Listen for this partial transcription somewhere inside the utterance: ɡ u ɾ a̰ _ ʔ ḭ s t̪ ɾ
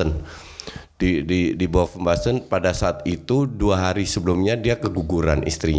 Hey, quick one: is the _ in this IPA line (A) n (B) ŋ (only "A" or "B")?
A